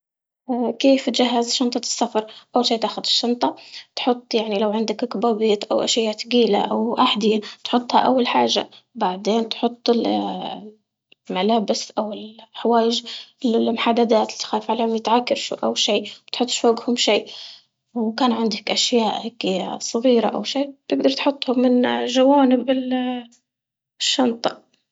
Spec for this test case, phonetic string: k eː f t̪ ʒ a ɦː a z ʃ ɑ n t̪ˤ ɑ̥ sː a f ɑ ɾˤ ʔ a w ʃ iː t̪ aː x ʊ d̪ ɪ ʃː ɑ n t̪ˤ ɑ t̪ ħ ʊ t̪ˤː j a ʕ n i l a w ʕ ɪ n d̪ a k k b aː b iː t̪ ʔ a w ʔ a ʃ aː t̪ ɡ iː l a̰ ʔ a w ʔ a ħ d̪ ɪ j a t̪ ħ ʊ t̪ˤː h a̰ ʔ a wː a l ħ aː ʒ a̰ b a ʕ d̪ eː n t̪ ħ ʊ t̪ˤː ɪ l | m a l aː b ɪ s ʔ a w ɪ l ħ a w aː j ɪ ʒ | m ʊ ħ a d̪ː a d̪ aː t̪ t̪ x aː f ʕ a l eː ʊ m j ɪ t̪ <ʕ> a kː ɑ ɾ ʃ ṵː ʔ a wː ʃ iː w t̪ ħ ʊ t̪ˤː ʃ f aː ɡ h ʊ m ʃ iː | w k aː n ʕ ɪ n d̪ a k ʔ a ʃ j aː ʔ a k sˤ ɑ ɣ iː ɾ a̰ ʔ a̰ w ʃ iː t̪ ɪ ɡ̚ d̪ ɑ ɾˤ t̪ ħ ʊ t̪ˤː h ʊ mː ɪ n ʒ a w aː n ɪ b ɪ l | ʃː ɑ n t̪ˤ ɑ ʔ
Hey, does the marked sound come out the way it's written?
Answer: yes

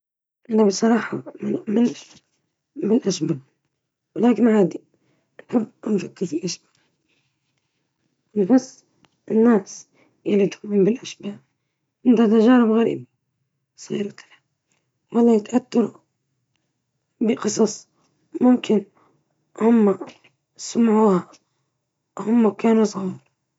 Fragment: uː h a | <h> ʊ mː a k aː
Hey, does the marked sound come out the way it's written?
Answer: yes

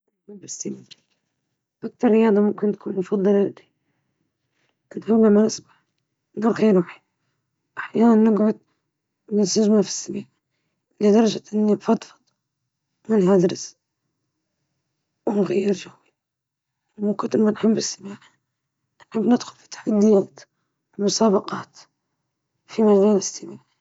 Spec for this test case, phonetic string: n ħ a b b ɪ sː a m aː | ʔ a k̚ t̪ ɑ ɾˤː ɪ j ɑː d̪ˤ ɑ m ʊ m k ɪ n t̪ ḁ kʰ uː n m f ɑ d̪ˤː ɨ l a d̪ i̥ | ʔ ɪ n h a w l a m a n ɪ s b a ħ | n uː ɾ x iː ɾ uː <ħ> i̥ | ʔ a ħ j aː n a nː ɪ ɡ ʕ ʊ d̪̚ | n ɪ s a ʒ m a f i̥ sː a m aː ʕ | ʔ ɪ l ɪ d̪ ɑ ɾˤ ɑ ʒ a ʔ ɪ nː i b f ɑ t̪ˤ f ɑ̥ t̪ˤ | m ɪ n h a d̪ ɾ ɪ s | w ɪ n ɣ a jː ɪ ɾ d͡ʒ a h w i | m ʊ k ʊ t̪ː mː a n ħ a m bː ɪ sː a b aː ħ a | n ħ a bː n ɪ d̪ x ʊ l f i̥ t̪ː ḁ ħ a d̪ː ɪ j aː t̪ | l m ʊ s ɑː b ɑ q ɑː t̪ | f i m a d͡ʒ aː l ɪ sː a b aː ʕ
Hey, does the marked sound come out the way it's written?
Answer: yes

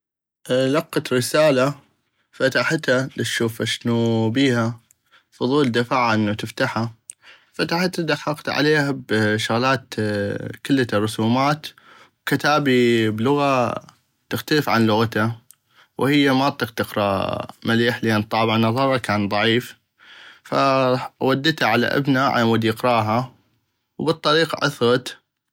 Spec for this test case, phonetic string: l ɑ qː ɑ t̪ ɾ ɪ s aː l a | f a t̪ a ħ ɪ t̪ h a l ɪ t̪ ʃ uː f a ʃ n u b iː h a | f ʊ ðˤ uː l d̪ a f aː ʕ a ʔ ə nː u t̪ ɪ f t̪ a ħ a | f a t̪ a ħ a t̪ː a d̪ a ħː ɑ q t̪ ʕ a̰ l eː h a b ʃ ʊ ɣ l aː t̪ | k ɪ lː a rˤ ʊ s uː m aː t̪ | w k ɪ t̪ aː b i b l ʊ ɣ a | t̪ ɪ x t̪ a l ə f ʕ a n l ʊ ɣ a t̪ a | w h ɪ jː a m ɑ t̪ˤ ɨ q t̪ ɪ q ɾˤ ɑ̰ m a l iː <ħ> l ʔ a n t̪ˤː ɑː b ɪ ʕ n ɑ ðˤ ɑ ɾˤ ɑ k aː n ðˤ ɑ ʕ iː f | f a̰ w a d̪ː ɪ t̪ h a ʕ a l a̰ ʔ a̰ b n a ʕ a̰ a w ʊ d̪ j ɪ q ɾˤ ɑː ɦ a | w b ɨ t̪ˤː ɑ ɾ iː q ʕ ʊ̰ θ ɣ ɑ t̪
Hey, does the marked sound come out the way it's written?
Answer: yes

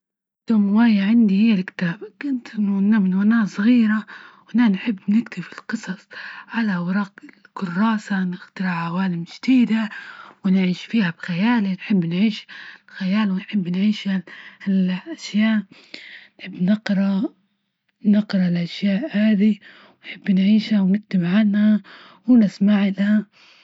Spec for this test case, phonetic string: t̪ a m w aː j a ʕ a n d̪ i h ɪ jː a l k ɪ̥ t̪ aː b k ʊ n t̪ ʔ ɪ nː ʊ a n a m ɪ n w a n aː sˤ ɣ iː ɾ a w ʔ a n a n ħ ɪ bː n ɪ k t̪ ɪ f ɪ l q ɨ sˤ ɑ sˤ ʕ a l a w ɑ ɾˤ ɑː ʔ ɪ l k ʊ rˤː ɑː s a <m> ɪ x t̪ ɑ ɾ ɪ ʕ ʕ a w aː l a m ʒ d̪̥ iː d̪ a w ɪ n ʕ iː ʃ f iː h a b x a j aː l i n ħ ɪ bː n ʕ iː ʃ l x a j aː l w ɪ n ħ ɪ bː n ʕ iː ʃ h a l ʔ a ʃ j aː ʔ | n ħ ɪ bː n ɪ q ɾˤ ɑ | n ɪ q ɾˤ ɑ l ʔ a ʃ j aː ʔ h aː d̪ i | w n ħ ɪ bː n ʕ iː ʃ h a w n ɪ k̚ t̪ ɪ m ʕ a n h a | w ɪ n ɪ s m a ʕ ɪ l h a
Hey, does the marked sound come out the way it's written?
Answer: no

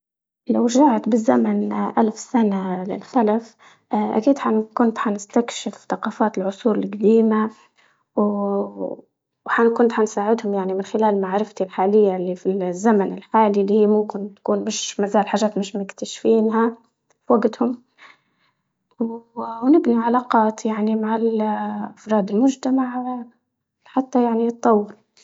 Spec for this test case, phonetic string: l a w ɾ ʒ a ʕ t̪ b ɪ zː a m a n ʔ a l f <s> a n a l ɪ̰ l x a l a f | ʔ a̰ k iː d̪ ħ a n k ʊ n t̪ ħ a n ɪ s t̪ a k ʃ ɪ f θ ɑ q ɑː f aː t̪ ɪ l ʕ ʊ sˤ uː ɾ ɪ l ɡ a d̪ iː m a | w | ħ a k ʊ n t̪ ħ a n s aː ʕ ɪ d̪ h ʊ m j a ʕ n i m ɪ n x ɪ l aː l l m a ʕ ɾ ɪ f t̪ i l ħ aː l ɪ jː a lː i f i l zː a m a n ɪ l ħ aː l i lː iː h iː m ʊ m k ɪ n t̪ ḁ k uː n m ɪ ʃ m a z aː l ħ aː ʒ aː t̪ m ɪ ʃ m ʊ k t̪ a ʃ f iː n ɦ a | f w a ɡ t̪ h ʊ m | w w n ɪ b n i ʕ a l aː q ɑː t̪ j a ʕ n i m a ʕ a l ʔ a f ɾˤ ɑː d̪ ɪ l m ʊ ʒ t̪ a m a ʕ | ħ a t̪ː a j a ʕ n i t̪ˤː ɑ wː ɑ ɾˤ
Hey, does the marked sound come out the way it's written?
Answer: yes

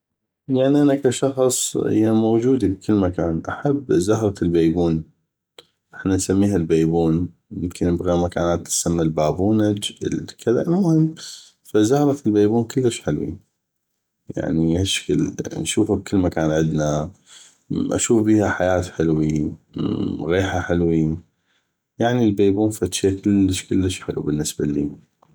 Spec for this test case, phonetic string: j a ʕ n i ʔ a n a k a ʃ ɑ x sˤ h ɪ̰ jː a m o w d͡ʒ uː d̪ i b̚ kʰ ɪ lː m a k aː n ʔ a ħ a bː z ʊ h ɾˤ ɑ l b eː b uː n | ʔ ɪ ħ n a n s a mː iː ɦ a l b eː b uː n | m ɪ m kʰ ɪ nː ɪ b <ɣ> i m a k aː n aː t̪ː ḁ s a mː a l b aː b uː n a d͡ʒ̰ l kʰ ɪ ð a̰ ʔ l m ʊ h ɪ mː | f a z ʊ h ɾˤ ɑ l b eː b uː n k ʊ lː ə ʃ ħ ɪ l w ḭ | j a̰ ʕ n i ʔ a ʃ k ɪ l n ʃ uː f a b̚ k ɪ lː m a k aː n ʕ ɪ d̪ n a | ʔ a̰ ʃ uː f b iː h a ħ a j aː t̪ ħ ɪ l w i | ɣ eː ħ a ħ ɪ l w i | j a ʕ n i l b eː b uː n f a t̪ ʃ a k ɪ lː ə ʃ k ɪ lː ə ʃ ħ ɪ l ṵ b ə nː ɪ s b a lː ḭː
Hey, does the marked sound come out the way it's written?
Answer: yes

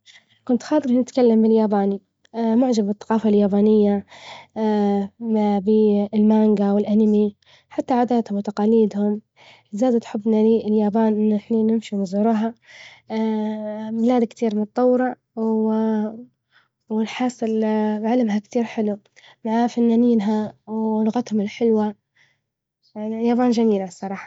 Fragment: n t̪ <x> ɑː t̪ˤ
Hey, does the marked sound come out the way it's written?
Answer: yes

